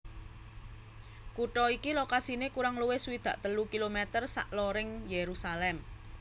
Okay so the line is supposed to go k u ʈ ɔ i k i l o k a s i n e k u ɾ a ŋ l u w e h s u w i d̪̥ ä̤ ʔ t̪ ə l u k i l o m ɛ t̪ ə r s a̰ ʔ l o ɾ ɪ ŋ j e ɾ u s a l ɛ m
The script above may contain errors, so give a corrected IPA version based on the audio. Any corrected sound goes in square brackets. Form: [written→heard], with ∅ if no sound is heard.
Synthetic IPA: k u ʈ ɔ i k i l o k a s i n e k u ɾ a ŋ l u w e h s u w i d̪̥ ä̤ ʔ t̪ ə l u k i l o m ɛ t̪ ə r s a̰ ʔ l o ɾ ɪ ŋ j e ɾ u s a l ɛ m